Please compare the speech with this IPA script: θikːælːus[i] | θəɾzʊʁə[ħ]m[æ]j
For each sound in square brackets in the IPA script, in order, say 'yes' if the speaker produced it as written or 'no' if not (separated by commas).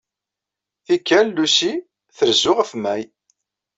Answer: yes, no, yes